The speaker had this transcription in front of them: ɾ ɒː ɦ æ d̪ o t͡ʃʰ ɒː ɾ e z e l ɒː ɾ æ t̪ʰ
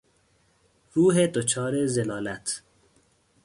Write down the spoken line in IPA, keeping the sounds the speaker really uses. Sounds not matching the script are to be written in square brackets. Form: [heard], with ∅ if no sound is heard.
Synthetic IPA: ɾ [uː] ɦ [e] d̪ o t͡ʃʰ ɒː ɾ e z e l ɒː [l] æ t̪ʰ